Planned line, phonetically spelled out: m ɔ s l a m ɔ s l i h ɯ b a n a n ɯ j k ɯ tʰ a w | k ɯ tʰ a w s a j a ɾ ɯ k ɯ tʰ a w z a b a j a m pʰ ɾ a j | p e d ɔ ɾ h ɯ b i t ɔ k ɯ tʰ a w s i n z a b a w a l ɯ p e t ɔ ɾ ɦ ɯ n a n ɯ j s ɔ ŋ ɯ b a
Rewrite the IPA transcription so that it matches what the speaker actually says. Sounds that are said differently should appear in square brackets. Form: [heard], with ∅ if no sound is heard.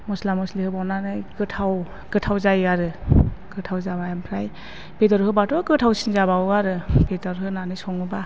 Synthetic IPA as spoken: m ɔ s l a m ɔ s l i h ɯ b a n a n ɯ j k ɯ tʰ a w | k ɯ tʰ a w [z] a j a ɾ ɯ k ɯ tʰ a w z a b a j a m pʰ ɾ a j | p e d ɔ ɾ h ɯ b [a] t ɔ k ɯ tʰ a w s i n z a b a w a [ɾ] ɯ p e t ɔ ɾ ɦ ɯ n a n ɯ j s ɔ ŋ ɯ b a